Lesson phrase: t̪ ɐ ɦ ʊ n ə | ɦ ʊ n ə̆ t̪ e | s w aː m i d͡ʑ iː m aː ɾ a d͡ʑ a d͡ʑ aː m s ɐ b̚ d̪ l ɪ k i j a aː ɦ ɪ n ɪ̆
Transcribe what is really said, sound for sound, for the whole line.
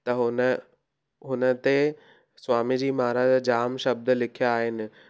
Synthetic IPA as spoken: t̪ ɐ ɦ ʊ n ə | ɦ ʊ n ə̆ t̪ e | s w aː m i d͡ʑ iː m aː ɾ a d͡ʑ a d͡ʑ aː m ʃ ɐ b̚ d̪ l ɪ kʰ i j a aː ɦ ɪ n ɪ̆

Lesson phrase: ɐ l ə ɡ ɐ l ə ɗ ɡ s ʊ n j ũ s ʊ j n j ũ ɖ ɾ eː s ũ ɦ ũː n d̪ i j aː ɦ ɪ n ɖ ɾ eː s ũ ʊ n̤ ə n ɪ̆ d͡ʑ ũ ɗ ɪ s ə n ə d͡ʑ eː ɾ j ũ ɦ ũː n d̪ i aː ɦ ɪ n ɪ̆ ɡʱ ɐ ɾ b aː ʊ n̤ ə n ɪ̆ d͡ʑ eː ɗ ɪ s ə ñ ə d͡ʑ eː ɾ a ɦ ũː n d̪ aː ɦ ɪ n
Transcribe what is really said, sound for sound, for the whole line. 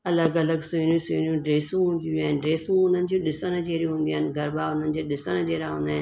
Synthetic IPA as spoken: ɐ l ə ɡ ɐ l ə ɡ s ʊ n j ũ s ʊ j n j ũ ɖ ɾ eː s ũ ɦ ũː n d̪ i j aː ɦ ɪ n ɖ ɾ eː s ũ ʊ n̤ ə n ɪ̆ d͡ʑ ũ ɗ ɪ s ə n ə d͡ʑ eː ɾ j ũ ɦ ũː n d̪ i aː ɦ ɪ n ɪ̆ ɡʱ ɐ ɾ b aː ʊ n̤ ə n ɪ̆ d͡ʑ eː ɗ ɪ s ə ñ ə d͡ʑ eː ɾ a ɦ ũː n d̪ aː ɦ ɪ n

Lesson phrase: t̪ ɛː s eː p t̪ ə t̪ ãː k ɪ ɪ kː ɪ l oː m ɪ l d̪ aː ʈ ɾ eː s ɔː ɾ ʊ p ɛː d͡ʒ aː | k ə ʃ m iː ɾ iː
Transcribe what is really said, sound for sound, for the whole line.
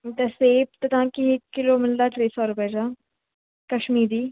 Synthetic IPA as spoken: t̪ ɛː s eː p t̪ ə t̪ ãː k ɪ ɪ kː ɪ l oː m ɪ l d̪ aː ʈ ɾ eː s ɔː ɾ ʊ p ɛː d͡ʒ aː | k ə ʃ m iː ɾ iː

